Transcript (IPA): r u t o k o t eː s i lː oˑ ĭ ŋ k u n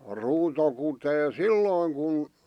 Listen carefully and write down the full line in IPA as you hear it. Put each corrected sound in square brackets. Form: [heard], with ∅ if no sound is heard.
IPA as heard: r [uː] t o k [u] t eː s i lː oˑ ĭ ŋ k u n